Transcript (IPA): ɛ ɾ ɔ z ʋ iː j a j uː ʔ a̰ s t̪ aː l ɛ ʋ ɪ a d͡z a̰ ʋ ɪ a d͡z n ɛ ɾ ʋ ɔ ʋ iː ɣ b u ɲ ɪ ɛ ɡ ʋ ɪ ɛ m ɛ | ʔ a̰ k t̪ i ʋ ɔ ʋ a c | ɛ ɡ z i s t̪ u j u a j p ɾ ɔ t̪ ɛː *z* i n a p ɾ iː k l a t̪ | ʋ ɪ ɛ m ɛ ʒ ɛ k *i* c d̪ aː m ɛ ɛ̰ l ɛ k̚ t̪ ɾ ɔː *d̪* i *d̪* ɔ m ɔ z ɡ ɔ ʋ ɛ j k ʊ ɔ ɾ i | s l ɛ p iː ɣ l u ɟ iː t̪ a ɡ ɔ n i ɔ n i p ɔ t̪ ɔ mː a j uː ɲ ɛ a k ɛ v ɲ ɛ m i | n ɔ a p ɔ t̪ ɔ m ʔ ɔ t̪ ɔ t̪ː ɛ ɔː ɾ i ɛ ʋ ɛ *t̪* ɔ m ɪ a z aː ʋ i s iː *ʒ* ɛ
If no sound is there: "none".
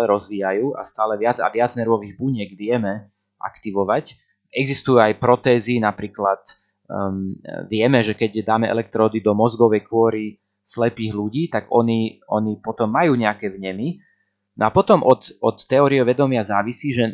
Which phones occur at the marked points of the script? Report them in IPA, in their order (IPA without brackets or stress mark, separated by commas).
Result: z, ɛ, d̪, d̪, d̪, ʒ